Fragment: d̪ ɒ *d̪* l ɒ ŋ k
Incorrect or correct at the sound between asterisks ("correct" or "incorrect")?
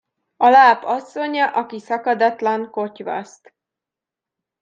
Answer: incorrect